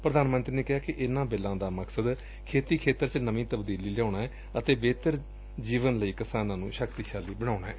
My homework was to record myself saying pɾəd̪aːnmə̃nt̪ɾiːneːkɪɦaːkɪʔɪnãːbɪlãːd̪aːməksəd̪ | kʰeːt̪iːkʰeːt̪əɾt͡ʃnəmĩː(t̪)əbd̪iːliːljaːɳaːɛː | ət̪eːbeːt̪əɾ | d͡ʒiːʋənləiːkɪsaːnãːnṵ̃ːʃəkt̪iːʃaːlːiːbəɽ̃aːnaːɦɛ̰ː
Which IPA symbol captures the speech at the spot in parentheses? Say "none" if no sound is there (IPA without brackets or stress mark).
t̪